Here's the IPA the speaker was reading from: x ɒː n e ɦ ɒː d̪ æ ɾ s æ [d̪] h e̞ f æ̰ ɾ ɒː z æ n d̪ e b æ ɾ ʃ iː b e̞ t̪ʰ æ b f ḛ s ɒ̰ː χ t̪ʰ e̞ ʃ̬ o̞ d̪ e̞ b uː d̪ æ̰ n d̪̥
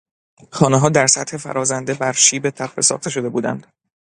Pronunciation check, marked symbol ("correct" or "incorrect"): incorrect